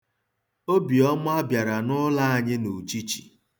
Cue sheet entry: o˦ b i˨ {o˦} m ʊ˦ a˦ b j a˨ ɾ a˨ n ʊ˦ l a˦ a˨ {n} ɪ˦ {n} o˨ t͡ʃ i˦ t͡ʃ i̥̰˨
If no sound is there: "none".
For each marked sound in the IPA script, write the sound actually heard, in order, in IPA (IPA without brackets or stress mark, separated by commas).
ɔ˦, ɲ, n